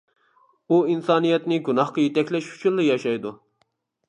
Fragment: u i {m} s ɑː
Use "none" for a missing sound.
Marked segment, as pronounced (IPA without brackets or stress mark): n